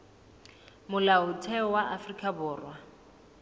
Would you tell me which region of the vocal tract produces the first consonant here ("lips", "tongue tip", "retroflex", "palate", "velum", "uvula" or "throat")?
lips